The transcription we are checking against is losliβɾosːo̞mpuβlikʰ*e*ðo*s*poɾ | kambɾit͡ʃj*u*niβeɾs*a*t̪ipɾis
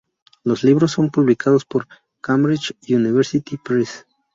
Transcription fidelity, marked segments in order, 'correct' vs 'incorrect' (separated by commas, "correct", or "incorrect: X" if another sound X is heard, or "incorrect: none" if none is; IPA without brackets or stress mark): incorrect: a, correct, correct, incorrect: i